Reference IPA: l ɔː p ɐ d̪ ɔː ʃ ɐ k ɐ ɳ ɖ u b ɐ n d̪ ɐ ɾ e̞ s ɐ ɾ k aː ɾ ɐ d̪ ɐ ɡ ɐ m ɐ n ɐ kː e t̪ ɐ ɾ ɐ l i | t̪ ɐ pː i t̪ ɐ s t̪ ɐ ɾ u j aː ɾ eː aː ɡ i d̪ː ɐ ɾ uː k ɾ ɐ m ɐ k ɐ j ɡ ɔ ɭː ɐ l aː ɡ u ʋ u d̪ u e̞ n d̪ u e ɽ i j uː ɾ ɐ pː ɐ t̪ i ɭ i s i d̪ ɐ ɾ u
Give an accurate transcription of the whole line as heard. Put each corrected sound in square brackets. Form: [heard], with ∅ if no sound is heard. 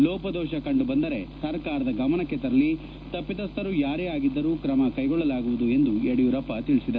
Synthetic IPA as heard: l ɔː p ɐ d̪ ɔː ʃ ɐ k ɐ ɳ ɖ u b ɐ n d̪ ɐ ɾ e̞ s ɐ ɾ k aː ɾ ɐ d̪ ɐ ɡ ɐ m ɐ n ɐ kː e t̪ ɐ ɾ ɐ l i | t̪ ɐ pː i t̪ ɐ s t̪ ɐ ɾ u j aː ɾ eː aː ɡ i d̪ː ɐ ɾ uː k ɾ ɐ m ɐ k ɐ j ɡ ɔ ɭː ɐ l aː ɡ u ʋ u d̪ u e̞ n d̪ u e ɽ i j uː ɾ ɐ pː ɐ t̪ i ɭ i s i d̪ ɐ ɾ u